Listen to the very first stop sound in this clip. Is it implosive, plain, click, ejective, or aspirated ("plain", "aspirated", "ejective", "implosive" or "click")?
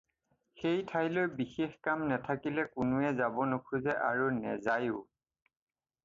aspirated